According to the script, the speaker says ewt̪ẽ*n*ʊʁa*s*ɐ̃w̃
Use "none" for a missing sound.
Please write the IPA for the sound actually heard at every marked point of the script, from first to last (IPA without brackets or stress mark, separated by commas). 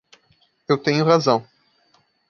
ɲ, z